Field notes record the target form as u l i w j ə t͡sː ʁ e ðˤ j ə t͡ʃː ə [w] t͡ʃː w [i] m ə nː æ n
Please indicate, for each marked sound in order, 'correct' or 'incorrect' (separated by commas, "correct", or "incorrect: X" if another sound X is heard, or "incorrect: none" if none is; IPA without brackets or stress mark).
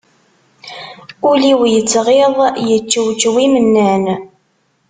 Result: correct, correct